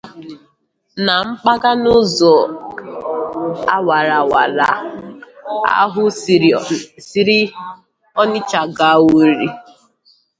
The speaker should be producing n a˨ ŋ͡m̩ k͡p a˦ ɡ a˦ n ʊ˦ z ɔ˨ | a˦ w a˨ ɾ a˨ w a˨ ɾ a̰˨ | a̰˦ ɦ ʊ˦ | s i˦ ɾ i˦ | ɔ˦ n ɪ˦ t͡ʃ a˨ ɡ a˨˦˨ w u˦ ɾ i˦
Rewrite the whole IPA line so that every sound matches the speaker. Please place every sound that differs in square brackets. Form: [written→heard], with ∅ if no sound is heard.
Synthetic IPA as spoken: n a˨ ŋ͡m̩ k͡p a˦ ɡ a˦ n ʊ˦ z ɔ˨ | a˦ w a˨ ɾ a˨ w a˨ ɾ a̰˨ | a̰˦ ɦ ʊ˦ | s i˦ ɾ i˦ | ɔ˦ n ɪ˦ t͡ʃ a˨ ɡ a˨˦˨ w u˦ ɾ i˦